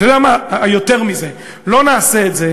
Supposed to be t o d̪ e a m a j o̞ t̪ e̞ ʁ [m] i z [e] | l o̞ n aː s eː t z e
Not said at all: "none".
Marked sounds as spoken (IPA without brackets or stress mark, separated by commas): m, e